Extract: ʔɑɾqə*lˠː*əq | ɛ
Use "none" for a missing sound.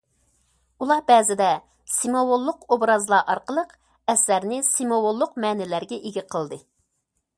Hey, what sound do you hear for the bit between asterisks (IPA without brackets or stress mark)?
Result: lˠ